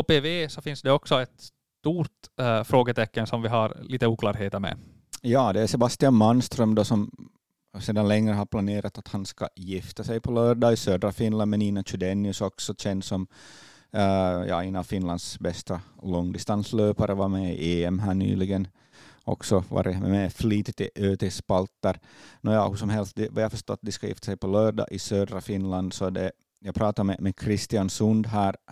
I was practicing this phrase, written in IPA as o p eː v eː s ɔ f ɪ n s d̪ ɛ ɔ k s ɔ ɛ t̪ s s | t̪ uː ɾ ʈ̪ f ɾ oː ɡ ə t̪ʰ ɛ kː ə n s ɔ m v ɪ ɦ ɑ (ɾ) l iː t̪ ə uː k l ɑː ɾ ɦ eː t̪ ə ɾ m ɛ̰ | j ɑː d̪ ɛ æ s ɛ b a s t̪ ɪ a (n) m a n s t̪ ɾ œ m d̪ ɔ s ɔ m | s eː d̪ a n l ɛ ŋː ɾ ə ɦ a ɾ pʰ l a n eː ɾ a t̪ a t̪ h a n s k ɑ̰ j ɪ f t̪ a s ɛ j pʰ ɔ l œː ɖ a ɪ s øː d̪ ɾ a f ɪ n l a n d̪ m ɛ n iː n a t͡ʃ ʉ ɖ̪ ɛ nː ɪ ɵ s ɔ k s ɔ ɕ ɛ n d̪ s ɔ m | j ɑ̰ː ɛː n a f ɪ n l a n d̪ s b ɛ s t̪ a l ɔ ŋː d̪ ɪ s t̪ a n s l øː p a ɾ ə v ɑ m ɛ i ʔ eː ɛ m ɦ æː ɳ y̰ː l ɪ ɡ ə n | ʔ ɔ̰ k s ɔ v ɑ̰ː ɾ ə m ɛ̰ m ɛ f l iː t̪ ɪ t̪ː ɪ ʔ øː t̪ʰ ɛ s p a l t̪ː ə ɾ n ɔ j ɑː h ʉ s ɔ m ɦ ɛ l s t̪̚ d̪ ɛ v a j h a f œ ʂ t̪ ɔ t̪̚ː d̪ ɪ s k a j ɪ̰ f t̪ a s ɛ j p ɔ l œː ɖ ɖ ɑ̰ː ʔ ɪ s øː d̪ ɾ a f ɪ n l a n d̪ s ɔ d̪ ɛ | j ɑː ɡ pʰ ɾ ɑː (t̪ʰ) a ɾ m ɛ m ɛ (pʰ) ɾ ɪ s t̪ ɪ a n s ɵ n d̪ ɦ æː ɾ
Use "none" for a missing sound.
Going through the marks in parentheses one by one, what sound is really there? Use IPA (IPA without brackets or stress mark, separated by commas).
ɾ, n, t̪, kʰ